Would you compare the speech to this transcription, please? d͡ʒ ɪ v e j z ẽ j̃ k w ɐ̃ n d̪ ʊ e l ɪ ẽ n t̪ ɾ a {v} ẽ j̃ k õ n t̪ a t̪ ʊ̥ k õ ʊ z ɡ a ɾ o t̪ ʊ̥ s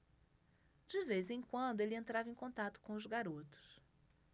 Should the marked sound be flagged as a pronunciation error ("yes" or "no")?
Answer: no